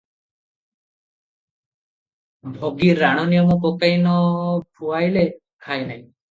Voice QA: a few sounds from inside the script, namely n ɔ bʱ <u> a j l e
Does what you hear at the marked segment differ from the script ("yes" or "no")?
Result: no